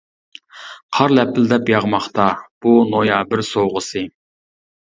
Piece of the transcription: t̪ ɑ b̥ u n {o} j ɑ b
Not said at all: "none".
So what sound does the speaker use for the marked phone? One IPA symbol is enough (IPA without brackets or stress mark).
o